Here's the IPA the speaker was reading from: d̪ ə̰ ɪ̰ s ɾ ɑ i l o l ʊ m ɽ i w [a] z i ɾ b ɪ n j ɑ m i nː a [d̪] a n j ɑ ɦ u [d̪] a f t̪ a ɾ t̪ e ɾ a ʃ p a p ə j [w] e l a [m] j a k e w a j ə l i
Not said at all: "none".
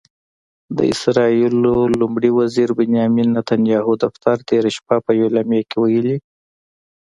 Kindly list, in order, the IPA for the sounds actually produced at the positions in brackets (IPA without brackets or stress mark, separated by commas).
a, t̪, d̪, w, m